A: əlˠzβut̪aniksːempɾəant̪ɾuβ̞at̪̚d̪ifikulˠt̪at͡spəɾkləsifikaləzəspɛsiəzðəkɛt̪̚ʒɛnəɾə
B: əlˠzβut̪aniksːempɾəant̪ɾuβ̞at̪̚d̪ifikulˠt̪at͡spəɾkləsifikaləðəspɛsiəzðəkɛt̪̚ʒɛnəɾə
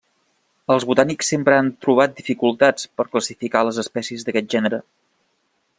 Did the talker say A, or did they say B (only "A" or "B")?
A